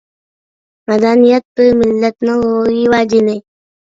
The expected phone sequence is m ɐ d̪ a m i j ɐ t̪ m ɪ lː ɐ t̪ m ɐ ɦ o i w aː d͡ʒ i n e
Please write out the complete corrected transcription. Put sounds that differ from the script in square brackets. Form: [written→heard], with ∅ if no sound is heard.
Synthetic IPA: m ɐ d̪ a [m→n] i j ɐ t̪ m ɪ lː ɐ t̪ [m→n] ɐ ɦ o i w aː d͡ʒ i n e